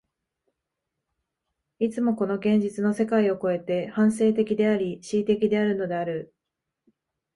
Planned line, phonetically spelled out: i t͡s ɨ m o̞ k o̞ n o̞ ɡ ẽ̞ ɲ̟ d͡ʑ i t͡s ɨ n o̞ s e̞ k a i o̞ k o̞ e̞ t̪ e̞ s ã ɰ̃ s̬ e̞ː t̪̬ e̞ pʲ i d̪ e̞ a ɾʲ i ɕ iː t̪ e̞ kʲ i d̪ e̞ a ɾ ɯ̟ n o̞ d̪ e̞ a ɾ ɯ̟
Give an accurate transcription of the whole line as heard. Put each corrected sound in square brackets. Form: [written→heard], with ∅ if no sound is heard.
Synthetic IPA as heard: i t͡s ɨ m o̞ k o̞ n o̞ ɡ ẽ̞ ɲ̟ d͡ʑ i t͡s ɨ n o̞ s e̞ k a i o̞ k o̞ e̞ t̪ e̞ [s→h] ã ɰ̃ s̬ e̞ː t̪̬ e̞ [pʲ→kʲ] i d̪ e̞ a ɾʲ i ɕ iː t̪ e̞ kʲ i d̪ e̞ a ɾ ɯ̟ n o̞ d̪ e̞ a ɾ ɯ̟

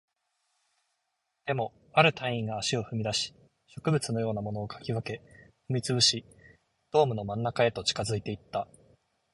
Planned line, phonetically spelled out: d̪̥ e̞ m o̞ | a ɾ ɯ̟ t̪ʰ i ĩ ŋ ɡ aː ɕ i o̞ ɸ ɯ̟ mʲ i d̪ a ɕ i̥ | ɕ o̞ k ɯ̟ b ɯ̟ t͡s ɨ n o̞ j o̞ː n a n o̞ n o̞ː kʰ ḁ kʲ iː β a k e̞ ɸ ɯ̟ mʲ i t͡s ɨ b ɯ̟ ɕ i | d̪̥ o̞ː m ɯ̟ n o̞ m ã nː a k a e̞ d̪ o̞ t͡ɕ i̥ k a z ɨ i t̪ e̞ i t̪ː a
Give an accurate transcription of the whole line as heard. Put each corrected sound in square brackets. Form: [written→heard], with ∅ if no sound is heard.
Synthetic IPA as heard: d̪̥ e̞ m o̞ | a ɾ ɯ̟ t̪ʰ [i→a] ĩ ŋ ɡ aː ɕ i o̞ ɸ ɯ̟ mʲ i d̪ a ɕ i̥ | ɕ o̞ k ɯ̟ b ɯ̟ t͡s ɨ n o̞ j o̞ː n a [n→m] o̞ n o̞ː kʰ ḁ kʲ [iː→i] β a k e̞ ɸ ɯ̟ mʲ i t͡s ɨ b ɯ̟ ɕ i | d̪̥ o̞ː m ɯ̟ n o̞ m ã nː a k a e̞ [d̪→t̪] o̞ t͡ɕ i̥ k a z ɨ i t̪ e̞ i t̪ː a

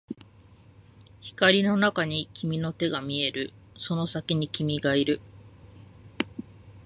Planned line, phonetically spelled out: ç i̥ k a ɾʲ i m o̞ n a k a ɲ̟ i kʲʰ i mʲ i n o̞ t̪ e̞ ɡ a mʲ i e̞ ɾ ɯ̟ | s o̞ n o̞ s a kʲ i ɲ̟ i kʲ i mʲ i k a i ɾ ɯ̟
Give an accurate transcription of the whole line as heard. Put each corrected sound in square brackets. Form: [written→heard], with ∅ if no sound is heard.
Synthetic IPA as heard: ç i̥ k a ɾʲ i [m→n] o̞ n a k a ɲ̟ i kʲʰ i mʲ i n o̞ t̪ e̞ ɡ a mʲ i e̞ ɾ ɯ̟ | s o̞ n o̞ s a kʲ i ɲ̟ i kʲ i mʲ i [k→ɡ] a i ɾ ɯ̟

